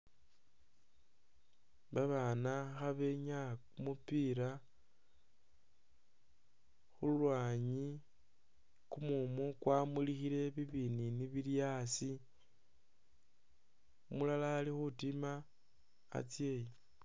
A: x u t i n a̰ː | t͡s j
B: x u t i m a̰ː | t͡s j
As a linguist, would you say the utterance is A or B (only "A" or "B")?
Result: B